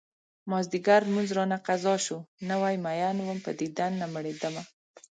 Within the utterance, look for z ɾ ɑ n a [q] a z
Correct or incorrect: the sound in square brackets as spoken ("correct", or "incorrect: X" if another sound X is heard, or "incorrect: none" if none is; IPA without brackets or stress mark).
correct